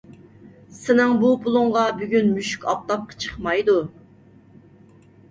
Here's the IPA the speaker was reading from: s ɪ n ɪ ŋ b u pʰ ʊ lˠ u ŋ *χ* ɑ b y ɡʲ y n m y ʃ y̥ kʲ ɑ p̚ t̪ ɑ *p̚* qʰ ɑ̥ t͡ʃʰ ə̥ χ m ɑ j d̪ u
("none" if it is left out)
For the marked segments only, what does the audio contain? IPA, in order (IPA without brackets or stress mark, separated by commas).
ʁ, p̚